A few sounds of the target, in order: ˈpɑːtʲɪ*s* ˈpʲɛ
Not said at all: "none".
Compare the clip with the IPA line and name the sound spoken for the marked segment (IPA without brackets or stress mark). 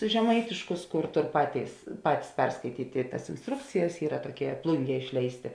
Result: s